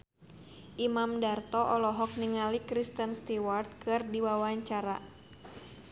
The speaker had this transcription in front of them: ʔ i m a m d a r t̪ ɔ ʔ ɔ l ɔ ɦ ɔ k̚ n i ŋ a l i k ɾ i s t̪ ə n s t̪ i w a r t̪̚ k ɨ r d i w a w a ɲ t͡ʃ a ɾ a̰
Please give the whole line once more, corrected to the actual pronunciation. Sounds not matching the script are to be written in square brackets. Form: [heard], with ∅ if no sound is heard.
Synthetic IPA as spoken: ʔ i m a m d a r t̪ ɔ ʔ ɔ l ɔ ɦ ɔ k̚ n i ŋ a l i k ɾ i s t̪ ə n s t̪ i w a r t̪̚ k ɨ r d i w a w a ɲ t͡ʃ a ɾ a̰